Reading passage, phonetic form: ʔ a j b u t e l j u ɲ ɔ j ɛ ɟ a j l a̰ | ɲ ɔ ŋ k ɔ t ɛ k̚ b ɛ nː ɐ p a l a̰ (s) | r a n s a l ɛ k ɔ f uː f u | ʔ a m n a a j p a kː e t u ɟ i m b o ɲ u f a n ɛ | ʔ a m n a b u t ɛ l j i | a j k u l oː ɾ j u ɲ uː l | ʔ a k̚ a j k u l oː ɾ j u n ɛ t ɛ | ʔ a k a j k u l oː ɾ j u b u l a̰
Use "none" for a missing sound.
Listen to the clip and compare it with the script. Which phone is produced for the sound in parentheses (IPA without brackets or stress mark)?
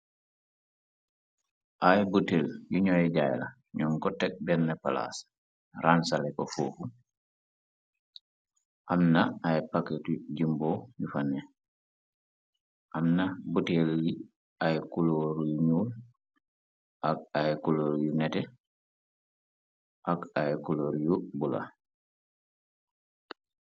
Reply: s